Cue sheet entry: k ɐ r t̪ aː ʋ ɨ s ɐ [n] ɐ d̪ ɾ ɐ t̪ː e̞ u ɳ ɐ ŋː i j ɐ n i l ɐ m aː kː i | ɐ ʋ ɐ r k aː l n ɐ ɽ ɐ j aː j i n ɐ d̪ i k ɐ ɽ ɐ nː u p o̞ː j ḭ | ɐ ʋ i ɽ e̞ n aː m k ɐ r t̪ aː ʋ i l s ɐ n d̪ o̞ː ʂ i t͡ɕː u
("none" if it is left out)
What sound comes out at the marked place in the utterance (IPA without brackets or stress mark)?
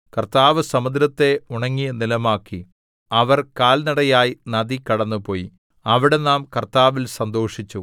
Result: m